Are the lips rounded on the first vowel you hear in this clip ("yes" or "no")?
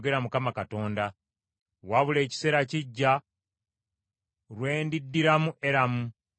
no